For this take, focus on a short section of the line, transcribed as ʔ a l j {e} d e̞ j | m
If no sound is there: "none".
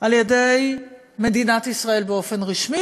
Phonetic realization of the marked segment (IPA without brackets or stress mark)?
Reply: e